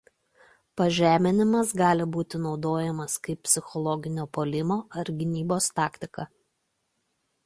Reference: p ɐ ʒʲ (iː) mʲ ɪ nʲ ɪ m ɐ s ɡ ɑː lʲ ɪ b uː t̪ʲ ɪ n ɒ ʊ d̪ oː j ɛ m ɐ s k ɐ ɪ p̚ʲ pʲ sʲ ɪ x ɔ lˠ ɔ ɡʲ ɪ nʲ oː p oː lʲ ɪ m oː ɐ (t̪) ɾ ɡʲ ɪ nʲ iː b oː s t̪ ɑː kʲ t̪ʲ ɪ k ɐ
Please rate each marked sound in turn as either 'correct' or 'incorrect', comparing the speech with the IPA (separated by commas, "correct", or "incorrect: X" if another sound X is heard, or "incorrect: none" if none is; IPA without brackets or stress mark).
incorrect: æː, incorrect: none